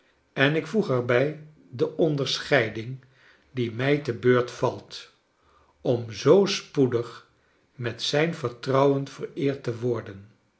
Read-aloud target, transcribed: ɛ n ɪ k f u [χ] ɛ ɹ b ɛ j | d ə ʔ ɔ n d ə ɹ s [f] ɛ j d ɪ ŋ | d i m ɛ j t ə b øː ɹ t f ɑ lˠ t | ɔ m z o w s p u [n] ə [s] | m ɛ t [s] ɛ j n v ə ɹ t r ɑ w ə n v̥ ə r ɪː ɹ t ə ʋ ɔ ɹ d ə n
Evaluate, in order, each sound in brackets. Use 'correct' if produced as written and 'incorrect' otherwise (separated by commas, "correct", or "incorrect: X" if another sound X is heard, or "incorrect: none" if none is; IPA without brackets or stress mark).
correct, incorrect: χ, incorrect: d, incorrect: χ, correct